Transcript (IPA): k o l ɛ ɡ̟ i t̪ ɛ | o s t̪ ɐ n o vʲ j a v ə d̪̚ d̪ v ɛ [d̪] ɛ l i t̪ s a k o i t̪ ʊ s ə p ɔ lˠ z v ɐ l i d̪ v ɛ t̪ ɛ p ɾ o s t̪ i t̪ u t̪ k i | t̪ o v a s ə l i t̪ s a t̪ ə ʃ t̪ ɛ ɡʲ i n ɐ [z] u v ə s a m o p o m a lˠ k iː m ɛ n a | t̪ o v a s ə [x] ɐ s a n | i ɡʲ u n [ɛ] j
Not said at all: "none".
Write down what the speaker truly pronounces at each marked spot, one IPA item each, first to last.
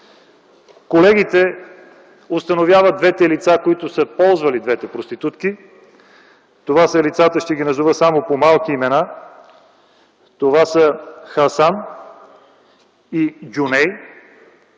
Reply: t̪, z, x, ɛ

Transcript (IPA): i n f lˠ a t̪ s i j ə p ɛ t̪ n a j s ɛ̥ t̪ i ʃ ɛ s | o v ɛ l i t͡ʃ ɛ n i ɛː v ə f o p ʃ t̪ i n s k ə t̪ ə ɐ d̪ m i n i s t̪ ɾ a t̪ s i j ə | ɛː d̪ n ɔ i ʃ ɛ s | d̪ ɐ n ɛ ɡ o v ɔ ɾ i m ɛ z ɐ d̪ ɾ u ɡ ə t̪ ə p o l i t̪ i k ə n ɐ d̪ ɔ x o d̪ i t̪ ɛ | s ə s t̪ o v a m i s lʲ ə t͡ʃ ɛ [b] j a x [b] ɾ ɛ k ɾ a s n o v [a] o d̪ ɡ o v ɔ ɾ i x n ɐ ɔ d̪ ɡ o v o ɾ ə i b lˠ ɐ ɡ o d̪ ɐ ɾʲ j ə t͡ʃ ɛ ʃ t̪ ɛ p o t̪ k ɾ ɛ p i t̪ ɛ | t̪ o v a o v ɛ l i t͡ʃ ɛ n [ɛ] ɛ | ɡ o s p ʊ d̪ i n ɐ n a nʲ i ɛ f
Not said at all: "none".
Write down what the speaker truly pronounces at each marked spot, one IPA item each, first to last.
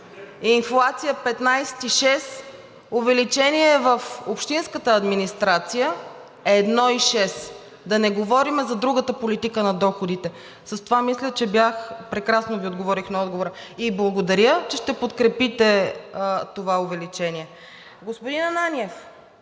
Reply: b, p, i, i

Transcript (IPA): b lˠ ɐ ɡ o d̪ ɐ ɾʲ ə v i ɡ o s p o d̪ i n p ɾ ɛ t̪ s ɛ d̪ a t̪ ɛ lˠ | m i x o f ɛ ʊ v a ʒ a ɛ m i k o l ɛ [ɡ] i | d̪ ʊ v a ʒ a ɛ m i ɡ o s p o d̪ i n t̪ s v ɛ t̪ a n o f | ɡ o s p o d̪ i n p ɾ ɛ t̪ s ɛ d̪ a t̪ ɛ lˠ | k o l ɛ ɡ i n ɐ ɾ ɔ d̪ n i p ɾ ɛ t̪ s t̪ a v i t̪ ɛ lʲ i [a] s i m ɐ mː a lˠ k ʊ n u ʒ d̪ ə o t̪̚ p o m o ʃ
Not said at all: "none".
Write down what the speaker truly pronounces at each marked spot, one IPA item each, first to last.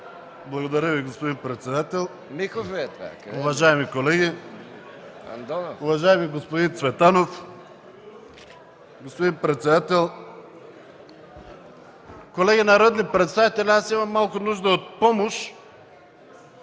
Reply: ɡ, a

